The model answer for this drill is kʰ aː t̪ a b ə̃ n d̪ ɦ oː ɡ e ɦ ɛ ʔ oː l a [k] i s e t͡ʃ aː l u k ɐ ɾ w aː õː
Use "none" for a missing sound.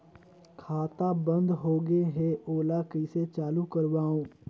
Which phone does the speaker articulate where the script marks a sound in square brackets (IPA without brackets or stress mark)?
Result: k